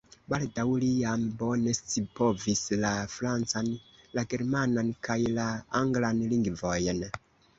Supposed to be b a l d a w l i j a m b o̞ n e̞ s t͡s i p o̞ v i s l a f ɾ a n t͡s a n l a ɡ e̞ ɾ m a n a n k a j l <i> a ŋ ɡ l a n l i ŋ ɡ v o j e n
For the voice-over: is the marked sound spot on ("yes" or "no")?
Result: no